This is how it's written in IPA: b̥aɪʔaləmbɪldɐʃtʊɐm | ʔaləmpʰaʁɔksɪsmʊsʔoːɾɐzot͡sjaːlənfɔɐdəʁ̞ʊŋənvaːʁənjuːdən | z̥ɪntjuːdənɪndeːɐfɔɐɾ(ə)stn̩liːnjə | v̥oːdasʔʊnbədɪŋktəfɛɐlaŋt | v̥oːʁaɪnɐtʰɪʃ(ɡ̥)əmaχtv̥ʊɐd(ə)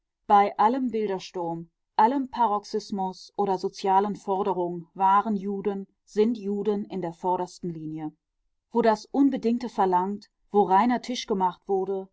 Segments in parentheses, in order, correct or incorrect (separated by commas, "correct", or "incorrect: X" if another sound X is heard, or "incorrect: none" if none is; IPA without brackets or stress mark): incorrect: ɐ, correct, correct